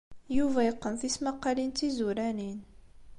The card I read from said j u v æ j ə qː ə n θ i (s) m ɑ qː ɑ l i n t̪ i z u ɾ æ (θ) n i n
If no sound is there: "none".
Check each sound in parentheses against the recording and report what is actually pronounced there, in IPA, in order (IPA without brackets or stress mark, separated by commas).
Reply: s, none